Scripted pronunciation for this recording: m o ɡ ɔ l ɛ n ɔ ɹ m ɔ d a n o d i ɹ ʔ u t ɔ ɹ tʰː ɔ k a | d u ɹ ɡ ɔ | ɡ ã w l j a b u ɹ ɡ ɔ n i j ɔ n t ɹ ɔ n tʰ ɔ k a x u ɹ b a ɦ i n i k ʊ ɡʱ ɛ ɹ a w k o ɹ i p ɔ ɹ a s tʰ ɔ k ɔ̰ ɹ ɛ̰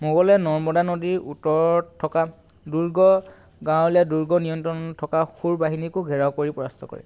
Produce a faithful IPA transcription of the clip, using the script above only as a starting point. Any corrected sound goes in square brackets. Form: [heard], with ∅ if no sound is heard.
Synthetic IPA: m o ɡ ɔ l ɛ n ɔ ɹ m ɔ d a n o d i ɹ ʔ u t ɔ ɹ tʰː ɔ k a | d u ɹ ɡ ɔ | ɡ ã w l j a [d] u ɹ ɡ ɔ n i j ɔ n t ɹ ɔ n tʰ ɔ k a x u ɹ b a ɦ i n i k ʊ ɡʱ ɛ ɹ a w k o ɹ i p ɔ ɹ a s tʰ ɔ k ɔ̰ ɹ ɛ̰